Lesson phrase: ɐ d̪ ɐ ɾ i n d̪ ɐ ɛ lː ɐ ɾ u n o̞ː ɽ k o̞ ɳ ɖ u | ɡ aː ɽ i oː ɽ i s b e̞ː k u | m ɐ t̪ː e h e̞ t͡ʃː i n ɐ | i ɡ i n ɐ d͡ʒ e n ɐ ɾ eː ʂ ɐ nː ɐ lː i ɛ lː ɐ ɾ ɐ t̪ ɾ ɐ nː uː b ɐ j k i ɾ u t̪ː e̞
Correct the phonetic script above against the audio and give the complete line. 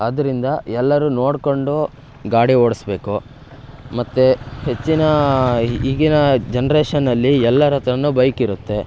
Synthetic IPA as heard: ɐ d̪ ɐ ɾ i n d̪ ɐ ɛ lː ɐ ɾ u n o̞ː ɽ k o̞ ɳ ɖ u | ɡ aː ɽ i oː ɽ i s b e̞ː k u | m ɐ t̪ː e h e̞ t͡ʃː i n ɐ | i ɡ i n ɐ d͡ʒ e n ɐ ɾ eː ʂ ɐ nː ɐ lː i ɛ lː ɐ ɾ ɐ t̪ ɾ ɐ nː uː b ɐ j k i ɾ u t̪ː e̞